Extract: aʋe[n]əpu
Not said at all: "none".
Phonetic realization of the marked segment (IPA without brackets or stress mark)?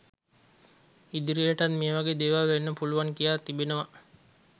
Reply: nː